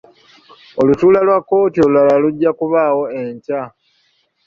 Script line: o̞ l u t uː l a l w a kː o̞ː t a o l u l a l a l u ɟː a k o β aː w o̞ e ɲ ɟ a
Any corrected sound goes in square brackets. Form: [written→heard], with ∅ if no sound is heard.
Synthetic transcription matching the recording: o̞ l u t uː l a l w a kː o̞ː t [a→i] o l u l a l a l u ɟː a k [o→u] β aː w o̞ e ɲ [ɟ→c] a